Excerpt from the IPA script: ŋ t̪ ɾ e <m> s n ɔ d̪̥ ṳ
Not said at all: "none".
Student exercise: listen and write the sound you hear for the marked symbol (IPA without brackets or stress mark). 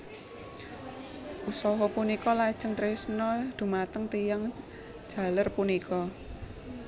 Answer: none